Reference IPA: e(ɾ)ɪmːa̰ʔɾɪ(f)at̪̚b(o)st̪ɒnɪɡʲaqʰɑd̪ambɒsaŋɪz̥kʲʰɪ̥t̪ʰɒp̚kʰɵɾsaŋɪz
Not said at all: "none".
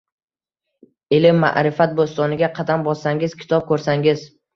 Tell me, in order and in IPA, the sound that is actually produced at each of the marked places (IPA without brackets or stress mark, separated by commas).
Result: l, f, o